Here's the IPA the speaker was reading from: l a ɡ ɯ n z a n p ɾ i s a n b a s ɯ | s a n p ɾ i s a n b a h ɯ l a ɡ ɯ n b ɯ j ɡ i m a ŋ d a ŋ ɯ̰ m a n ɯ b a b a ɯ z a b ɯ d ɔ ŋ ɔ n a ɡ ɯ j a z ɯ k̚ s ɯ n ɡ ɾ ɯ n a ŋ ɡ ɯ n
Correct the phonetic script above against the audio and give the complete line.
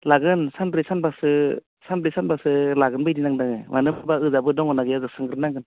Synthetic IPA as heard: l a ɡ ɯ n s a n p ɾ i s a n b a s ɯ | s a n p ɾ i s a n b a s ɯ l a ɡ ɯ n b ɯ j d i n a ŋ d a ŋ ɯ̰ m a n ɯ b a b a ɯ z a b ɯ d ɔ ŋ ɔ n a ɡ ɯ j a z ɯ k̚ s ɯ ŋ ɡ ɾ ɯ n a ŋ ɡ ɯ n